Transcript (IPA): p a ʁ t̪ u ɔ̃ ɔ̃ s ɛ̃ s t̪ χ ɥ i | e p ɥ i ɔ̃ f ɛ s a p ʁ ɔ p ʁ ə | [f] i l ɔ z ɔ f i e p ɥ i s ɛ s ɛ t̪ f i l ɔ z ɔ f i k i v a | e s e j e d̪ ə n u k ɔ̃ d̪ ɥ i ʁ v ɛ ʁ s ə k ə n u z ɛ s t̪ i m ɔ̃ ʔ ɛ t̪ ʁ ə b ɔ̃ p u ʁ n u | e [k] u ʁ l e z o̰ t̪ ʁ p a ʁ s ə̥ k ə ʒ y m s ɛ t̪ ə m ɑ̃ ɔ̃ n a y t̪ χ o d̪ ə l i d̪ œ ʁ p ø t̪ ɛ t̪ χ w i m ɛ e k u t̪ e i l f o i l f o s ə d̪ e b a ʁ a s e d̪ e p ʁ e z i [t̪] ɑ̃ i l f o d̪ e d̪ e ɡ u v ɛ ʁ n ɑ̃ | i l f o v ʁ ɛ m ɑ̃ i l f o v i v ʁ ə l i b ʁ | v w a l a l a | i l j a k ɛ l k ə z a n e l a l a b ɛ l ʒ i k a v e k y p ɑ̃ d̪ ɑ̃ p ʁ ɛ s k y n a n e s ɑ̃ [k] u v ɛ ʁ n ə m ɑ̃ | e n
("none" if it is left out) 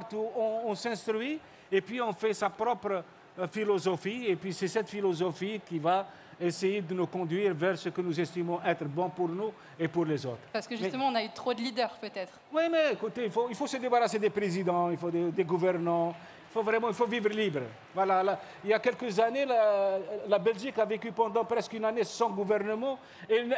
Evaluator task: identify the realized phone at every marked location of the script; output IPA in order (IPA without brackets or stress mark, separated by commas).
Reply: f, p, d̪, ɡ